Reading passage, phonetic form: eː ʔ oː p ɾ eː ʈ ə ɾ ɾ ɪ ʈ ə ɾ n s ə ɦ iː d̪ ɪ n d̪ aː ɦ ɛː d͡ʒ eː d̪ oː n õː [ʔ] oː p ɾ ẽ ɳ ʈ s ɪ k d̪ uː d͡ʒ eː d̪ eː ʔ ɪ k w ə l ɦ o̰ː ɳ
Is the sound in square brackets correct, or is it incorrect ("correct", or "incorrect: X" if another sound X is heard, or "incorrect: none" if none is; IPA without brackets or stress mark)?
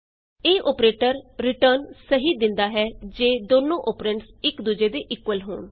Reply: correct